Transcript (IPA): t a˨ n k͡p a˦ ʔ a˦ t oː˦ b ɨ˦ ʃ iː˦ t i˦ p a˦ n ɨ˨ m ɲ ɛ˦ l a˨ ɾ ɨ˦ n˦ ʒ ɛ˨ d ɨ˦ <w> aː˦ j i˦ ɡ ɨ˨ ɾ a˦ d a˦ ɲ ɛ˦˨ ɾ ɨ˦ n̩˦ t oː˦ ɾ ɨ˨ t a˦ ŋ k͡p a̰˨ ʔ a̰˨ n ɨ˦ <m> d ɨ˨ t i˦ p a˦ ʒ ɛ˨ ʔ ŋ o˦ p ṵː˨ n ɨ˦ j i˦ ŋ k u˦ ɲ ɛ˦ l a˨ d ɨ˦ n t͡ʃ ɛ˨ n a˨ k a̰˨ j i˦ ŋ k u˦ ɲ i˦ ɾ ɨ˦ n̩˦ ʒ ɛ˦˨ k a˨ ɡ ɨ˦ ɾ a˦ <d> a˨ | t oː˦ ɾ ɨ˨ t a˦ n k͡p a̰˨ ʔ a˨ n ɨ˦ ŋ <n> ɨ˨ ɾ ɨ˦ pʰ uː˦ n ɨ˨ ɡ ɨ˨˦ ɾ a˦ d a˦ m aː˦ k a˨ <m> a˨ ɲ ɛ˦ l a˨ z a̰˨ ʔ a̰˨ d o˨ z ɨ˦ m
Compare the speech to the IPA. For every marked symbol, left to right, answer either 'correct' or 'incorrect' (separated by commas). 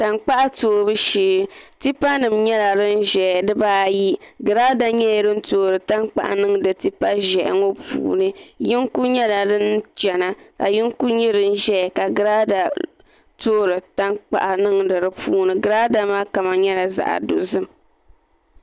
incorrect, incorrect, correct, incorrect, correct